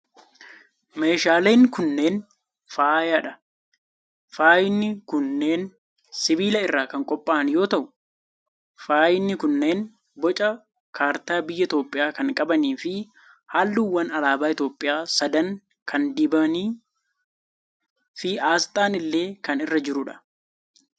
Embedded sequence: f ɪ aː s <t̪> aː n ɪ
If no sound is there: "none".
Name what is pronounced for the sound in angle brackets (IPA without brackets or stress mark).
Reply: t̪ʼ